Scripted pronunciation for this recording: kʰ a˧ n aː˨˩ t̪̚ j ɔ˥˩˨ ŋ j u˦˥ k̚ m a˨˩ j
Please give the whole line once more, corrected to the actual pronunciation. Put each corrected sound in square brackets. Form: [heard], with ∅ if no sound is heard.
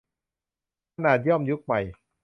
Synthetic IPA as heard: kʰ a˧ n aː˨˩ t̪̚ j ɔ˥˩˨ [m] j u˦˥ k̚ m a˨˩ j